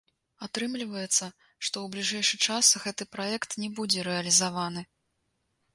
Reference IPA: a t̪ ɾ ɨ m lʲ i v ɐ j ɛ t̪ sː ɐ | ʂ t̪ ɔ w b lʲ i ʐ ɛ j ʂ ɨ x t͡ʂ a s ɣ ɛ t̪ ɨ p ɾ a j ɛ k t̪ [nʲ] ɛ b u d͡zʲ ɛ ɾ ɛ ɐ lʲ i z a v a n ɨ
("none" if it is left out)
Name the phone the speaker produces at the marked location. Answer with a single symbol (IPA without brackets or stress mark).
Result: nʲ